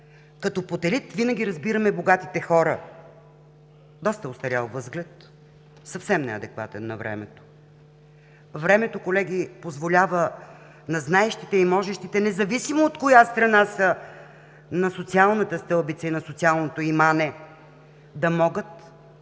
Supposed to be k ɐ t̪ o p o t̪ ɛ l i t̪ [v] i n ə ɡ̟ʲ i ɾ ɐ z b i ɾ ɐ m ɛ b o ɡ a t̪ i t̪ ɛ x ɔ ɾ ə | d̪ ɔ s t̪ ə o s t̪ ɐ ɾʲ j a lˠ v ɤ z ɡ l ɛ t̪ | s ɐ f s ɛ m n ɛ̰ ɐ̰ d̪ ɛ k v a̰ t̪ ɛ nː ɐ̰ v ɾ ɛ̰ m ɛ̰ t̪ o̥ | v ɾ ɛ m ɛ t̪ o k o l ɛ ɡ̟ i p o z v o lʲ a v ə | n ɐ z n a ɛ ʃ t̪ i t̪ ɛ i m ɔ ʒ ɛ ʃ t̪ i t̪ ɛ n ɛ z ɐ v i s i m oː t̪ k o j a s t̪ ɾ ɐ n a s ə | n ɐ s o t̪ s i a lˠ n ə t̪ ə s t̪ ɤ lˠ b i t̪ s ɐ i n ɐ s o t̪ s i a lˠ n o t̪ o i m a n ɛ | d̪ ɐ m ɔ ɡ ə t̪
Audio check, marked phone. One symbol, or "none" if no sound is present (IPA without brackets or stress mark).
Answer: v